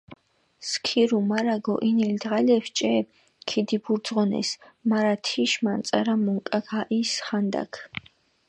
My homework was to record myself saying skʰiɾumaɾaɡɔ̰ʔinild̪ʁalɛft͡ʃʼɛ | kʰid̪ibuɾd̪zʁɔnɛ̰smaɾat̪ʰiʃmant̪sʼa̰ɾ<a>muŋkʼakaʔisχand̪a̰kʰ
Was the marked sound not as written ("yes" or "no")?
no